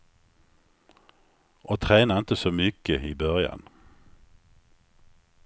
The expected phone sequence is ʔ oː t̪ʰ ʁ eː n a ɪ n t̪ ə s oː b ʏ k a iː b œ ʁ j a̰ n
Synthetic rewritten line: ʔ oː t̪ʰ ʁ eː n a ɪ n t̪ ə s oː m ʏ k ə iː b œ ʁ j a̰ n

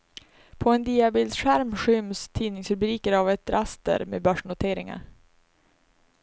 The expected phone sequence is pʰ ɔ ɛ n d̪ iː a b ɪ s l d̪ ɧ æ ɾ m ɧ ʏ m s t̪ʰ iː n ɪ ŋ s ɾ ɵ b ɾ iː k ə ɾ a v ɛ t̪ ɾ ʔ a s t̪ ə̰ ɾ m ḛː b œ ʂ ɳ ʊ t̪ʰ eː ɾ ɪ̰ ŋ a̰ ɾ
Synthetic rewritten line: pʰ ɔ ɛ n d̪ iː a b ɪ l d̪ ɧ æ ɾ m ɧ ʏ m s t̪ʰ iː n ɪ ŋ s ɾ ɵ b ɾ iː k ə ɾ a v ɛ t̪ ɾ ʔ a s t̪ ə̰ ɾ m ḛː b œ ʂ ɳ ʊ t̪ʰ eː ɾ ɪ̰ ŋ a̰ ɾ

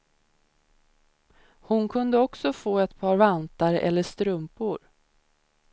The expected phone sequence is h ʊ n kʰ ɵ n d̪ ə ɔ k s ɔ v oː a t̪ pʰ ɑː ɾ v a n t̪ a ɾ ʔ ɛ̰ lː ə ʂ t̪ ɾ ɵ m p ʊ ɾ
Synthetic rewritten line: h ʊ n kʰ ɵ n d̪ ə ɔ k s ɔ f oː ɛ t̪ pʰ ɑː ɾ v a n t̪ a ɾ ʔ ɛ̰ lː ə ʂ t̪ ɾ ɵ m p ʊ ɾ

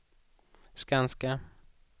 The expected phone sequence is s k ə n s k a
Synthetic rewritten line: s k a n s k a

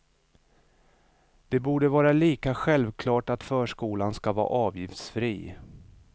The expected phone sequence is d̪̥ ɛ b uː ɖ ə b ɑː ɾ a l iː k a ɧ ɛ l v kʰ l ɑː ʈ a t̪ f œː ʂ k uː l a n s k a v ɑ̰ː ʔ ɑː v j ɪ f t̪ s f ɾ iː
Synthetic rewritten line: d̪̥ ɛ b uː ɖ ə v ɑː ɾ a l iː k a ɧ ɛ l v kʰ l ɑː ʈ a t̪ f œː ʂ k uː l a n s k a v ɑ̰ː ʔ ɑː v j ɪ f t̪ s f ɾ iː

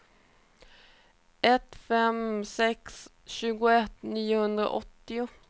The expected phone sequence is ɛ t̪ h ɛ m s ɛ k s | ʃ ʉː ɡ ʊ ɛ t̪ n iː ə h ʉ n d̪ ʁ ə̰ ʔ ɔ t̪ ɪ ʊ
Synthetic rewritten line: ɛ t̪ f ɛ m s ɛ k s | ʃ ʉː ɡ ʊ ɛ t̪ n iː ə h ʉ n d̪ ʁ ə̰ ʔ ɔ t̪ ɪ ʊ

